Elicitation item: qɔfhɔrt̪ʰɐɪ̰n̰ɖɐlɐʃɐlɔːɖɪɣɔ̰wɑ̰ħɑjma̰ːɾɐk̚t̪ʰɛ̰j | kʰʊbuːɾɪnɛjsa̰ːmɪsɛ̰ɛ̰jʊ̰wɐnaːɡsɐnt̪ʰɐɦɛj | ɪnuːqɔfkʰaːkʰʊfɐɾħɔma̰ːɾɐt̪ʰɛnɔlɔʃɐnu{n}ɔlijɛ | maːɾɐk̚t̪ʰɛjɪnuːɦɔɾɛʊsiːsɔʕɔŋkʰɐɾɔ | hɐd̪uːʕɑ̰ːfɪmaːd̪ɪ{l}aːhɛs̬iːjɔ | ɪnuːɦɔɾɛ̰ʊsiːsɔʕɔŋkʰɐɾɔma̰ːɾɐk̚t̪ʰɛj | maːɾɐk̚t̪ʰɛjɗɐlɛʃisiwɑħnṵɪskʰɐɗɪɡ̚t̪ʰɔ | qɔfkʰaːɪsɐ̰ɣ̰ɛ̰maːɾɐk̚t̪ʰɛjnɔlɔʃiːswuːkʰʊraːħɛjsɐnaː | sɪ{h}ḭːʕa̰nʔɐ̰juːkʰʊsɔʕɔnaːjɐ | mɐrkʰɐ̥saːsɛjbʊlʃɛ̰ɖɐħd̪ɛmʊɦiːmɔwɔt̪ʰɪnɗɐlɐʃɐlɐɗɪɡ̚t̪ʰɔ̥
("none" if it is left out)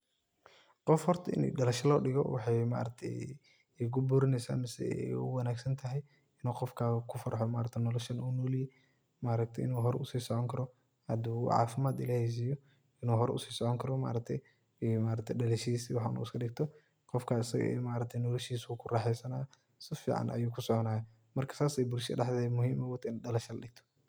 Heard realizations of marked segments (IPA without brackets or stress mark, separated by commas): n, l, f